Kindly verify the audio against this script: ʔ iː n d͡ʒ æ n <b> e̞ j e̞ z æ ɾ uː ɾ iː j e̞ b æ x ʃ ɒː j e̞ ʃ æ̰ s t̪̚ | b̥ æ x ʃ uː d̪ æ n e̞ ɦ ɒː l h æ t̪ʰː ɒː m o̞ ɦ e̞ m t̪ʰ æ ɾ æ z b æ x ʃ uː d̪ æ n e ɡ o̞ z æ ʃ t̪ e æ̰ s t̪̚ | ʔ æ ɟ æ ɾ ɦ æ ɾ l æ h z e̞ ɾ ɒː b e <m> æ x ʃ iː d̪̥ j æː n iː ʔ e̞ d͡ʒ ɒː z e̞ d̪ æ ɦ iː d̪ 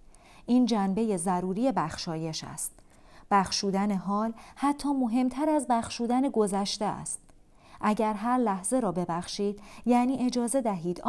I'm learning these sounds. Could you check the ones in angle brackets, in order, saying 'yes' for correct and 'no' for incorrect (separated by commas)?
yes, no